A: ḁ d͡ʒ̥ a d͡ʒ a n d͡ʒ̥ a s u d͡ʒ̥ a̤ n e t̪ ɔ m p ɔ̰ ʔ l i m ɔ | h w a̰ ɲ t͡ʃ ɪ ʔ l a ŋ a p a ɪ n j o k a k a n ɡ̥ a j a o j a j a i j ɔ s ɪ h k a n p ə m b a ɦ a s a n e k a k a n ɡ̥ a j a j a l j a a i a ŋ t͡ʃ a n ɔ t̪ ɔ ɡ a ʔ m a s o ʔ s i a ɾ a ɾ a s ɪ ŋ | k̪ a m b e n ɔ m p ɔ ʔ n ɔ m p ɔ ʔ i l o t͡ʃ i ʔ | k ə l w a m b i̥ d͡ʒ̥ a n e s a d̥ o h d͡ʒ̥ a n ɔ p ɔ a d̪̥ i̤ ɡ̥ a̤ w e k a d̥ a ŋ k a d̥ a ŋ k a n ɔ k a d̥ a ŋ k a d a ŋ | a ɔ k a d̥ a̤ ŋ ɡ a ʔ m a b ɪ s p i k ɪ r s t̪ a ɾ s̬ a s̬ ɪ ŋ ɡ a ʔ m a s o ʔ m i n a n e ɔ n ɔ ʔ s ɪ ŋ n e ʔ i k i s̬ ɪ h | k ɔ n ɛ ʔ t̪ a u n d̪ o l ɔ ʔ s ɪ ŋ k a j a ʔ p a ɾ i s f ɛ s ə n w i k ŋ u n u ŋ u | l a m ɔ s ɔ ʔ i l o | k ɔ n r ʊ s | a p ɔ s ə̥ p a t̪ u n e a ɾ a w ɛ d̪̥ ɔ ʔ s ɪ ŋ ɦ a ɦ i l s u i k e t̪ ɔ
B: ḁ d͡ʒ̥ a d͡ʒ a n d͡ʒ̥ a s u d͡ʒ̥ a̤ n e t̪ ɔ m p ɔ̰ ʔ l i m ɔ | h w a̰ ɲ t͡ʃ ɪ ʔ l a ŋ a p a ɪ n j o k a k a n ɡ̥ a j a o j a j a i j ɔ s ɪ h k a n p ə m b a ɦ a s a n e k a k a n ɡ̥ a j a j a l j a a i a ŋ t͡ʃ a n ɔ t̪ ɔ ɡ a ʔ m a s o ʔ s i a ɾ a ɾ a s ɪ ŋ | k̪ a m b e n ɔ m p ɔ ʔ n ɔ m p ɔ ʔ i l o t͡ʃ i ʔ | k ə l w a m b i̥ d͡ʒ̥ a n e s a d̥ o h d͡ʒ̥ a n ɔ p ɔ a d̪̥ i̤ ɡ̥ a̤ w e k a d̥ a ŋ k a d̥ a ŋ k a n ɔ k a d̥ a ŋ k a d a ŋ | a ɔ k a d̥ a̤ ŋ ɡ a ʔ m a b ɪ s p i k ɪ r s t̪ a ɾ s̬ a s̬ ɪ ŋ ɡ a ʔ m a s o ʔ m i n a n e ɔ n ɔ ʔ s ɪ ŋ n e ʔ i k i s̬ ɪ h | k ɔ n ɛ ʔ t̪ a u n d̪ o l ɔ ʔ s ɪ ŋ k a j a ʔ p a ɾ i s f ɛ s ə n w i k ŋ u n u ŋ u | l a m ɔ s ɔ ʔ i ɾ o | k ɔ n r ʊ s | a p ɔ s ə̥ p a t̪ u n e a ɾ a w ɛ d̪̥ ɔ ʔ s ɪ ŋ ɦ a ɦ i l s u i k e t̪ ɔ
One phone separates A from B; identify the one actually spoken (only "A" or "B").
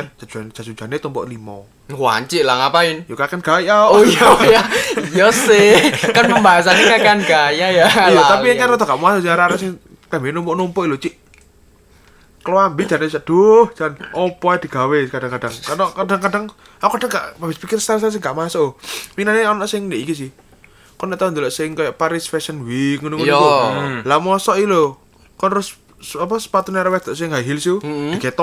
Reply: A